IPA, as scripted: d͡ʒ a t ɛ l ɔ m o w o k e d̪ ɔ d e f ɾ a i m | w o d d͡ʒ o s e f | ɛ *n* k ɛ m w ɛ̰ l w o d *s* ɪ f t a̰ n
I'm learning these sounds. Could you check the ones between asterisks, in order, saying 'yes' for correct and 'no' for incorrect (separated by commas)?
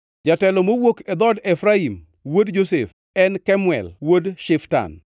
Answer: yes, no